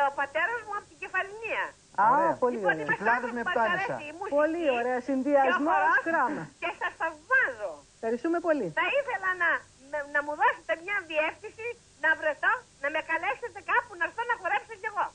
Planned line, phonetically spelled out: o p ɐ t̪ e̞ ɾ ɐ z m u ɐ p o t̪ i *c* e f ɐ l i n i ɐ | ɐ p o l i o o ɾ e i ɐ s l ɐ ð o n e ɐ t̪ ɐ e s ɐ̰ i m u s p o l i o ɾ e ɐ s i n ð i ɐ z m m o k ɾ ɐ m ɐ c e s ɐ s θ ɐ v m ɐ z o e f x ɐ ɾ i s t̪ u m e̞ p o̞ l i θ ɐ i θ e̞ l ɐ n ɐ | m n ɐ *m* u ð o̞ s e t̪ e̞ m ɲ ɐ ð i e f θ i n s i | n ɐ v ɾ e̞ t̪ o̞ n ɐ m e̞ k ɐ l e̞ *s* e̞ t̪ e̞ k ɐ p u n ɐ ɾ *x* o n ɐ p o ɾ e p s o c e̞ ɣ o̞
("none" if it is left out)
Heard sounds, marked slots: ɟ, m, s, θ

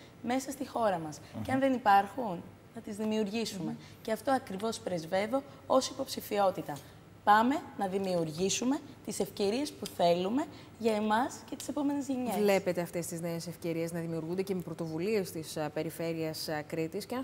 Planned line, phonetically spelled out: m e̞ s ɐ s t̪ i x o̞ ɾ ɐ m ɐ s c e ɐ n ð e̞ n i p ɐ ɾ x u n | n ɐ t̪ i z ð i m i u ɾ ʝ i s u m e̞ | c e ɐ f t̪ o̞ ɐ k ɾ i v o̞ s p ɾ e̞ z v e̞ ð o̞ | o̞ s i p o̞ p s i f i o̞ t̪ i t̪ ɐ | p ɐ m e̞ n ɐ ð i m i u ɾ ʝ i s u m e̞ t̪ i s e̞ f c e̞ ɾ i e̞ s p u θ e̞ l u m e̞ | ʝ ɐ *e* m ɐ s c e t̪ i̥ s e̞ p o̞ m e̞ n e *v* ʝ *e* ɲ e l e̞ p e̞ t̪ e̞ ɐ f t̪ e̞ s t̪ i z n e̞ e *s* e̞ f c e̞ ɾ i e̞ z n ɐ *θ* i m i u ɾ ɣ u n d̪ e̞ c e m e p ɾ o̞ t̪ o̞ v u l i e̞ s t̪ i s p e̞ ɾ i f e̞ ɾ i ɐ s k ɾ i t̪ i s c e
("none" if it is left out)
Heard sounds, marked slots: e, z, e, s, ð

